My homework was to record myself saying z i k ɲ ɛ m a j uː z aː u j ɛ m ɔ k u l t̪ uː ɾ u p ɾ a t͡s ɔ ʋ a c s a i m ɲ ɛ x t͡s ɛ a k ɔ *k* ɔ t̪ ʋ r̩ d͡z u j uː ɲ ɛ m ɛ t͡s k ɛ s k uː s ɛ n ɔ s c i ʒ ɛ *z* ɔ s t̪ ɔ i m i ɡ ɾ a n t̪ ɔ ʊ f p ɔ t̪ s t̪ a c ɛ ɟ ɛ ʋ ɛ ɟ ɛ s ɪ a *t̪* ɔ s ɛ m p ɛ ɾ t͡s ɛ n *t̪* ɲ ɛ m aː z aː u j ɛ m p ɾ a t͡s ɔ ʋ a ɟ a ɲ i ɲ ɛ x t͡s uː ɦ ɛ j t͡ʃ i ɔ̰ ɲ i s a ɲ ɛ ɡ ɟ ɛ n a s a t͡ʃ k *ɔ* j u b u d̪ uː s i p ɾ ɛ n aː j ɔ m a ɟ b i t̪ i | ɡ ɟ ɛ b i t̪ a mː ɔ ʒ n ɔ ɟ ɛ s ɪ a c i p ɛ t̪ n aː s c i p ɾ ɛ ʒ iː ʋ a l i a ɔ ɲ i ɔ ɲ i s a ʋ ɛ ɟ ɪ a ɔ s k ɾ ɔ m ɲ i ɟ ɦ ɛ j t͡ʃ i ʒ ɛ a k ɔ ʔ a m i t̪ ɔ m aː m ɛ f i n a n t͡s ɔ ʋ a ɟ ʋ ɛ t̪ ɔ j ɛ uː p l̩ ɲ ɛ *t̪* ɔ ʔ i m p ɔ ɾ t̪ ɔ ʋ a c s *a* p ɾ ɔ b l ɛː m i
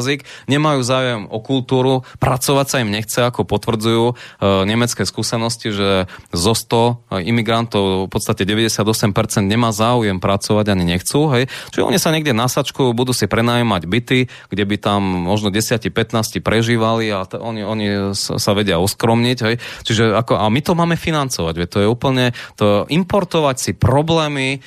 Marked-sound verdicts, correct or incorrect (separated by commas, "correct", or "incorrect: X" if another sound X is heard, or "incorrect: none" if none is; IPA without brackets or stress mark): incorrect: p, correct, incorrect: d̪, incorrect: d̪, incorrect: u, correct, incorrect: i